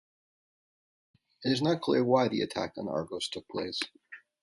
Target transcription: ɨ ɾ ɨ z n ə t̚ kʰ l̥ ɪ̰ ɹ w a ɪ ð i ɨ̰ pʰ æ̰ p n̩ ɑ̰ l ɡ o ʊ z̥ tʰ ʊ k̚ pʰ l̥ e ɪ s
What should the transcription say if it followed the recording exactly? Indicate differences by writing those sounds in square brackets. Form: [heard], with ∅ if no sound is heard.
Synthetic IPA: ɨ ɾ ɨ z n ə t̚ kʰ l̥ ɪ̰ ɹ w a ɪ ð i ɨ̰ [tʰ] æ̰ [k] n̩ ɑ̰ [ɹ] ɡ o ʊ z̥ tʰ ʊ k̚ pʰ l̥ e ɪ s